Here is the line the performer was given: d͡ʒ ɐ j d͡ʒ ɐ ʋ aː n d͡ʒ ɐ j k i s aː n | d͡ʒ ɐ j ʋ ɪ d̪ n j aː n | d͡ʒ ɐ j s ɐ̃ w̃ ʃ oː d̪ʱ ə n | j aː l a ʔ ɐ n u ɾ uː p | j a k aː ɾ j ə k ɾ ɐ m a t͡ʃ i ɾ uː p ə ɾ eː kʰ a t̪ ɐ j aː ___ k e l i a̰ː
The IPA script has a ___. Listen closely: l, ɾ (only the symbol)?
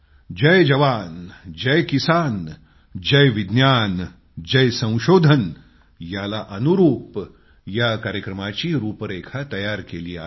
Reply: ɾ